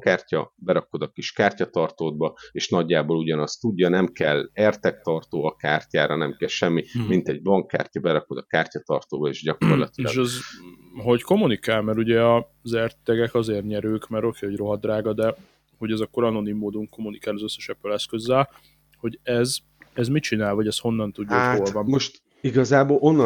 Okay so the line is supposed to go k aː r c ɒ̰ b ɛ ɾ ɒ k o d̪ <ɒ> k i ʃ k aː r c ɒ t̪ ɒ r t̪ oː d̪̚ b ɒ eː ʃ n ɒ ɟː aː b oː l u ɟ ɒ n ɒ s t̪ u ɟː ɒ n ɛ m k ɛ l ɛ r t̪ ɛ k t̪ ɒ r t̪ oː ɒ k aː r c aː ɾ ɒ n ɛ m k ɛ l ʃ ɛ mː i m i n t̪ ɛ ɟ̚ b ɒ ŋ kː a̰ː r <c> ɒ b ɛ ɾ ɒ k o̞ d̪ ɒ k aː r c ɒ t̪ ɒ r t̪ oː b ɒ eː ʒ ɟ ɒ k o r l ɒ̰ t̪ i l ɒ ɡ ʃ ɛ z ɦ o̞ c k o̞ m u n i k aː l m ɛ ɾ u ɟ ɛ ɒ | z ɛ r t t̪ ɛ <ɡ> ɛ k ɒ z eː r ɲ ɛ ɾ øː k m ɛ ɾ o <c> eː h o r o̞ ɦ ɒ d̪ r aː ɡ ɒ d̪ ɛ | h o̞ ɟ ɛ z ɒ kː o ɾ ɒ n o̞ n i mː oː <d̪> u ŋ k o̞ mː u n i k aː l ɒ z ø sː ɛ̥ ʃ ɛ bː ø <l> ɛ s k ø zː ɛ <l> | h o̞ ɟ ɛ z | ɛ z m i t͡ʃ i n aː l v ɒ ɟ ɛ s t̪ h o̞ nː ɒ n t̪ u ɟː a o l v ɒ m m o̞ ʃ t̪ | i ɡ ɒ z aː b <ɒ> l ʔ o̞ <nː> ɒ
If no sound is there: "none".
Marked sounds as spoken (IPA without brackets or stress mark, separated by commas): ɒ, c, ɡ, k, d̪, l, l, o, nː